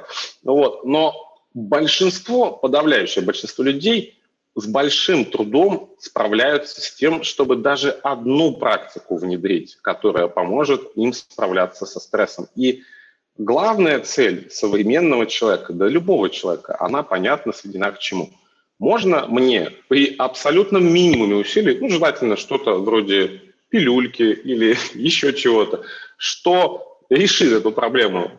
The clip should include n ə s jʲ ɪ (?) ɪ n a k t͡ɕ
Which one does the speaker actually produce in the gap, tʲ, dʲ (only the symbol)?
dʲ